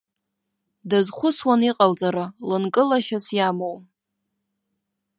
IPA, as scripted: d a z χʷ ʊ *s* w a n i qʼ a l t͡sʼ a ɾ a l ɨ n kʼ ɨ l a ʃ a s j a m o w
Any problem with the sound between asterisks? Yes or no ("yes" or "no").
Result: no